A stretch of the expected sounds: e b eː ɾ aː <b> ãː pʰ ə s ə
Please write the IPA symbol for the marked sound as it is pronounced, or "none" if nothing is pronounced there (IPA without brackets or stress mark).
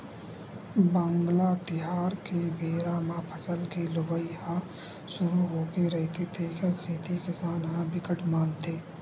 m